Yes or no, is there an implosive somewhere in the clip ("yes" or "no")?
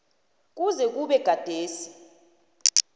yes